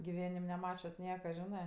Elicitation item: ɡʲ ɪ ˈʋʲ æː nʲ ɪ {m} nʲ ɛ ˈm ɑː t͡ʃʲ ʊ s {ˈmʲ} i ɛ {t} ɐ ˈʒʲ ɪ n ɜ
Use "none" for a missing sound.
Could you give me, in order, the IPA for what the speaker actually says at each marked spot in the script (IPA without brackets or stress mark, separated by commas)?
m, nʲ, k